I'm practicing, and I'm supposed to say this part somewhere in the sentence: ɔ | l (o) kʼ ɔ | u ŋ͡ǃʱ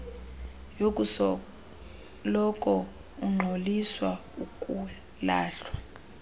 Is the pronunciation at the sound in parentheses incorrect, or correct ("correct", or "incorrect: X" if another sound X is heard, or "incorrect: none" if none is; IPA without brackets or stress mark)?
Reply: incorrect: ɔ